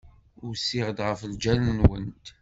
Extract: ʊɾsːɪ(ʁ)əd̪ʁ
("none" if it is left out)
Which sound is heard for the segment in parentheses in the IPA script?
ʁ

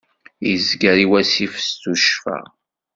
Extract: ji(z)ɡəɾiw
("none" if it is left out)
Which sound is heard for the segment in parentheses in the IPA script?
z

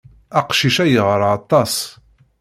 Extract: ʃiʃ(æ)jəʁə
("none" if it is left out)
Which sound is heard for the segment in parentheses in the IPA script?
æ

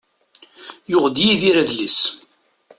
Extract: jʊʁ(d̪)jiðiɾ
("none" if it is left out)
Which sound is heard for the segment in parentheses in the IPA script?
d̪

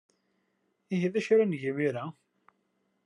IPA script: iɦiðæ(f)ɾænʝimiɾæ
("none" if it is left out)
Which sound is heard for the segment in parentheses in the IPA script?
ʃ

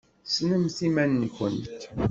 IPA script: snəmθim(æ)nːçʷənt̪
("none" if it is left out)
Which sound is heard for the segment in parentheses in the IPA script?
æ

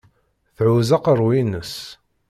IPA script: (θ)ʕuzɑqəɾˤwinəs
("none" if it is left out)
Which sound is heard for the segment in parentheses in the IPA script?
θ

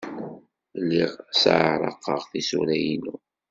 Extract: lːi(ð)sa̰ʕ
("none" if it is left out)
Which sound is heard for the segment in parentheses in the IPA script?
ʁ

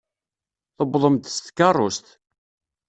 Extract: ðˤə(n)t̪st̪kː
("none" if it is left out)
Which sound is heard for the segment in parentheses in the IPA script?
m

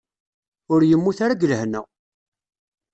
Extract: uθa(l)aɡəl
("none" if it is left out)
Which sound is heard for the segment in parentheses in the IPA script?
ɾ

